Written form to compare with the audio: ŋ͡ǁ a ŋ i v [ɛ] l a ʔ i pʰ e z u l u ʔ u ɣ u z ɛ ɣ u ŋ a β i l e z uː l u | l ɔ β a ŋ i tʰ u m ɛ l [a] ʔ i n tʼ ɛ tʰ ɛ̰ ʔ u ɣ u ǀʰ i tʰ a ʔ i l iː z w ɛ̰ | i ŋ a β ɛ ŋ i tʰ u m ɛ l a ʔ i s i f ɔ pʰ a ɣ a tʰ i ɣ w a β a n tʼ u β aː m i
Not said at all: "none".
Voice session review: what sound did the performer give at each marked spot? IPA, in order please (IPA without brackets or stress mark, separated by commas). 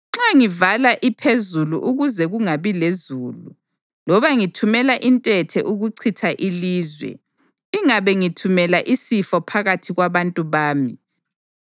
a, a